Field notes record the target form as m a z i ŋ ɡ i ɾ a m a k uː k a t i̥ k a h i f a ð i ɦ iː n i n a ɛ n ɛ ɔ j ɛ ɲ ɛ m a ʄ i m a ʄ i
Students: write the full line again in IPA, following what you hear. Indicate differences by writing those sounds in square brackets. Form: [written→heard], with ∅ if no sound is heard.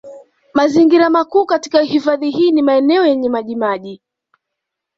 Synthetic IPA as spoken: m a z i ŋ ɡ i ɾ a m a k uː k a t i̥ k a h i f a ð i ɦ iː n i [n→m] a ɛ n ɛ ɔ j ɛ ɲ ɛ m a ʄ i m a ʄ i